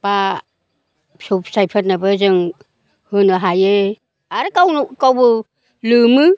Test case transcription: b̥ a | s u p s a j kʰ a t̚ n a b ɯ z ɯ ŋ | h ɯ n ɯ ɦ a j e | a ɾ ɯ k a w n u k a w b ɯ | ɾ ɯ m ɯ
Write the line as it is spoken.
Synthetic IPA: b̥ a | s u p s a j pʰ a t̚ n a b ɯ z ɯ ŋ | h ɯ n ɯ ɦ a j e | a ɾ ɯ k a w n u k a w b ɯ | l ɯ m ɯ